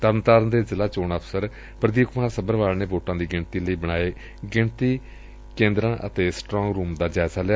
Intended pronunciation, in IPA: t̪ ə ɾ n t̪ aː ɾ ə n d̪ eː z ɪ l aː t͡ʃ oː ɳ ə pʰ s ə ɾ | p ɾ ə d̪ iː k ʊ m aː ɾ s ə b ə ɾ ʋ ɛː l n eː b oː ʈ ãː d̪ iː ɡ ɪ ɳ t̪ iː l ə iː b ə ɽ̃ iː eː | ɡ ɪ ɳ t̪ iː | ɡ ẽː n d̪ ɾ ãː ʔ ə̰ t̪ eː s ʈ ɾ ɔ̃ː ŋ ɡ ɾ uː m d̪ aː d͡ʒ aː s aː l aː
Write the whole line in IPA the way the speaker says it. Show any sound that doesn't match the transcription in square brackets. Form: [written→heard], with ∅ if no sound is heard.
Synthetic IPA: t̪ ə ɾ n t̪ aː ɾ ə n d̪ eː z ɪ l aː t͡ʃ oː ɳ ə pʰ s ə ɾ | p ɾ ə d̪ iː k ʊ m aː ɾ s ə b ə ɾ ʋ [ɛː→aː] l n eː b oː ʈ ãː d̪ iː ɡ ɪ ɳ t̪ iː l ə iː b ə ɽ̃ [iː→aː] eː | ɡ ɪ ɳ t̪ iː | [ɡ→k] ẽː n d̪ ɾ ãː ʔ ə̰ t̪ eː s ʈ ɾ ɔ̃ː ŋ ɡ ɾ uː m d̪ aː d͡ʒ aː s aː l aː